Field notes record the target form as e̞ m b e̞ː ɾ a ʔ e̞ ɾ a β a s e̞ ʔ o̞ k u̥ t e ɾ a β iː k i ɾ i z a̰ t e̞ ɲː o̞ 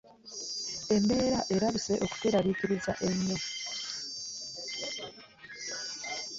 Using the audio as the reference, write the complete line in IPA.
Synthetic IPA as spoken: e̞ m b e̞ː ɾ a ʔ e̞ ɾ a β i s e̞ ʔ o̞ k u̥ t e ɾ a β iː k i ɾ i z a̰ ʔ e̞ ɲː o̞